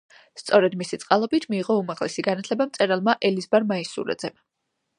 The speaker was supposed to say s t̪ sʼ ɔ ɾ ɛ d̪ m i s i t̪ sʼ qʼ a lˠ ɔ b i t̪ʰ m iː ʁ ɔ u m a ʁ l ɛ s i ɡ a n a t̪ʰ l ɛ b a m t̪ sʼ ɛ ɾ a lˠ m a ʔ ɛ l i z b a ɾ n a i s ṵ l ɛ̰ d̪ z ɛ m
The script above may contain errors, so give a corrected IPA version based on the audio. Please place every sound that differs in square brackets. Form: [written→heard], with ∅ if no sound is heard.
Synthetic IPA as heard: s t̪ sʼ ɔ ɾ ɛ d̪ m i s i t̪ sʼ qʼ a lˠ ɔ b i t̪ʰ m iː ʁ ɔ u m a ʁ l ɛ s i ɡ a n a t̪ʰ l ɛ b a m t̪ sʼ ɛ ɾ a lˠ m a ʔ ɛ l i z b a ɾ [n→m] a i s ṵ [l→ɾ] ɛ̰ d̪ z ɛ m